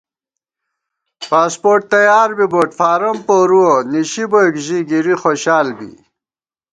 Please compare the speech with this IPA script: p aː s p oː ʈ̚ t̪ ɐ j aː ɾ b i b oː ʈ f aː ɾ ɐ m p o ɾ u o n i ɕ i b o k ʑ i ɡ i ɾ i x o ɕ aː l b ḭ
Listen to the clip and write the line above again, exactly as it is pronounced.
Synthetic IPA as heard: p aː s p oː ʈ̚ t̪ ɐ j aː ɾ b i b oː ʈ f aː ɾ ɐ m p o ɾ u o n i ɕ i b o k ʑ i ɡ i ɾ i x o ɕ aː l b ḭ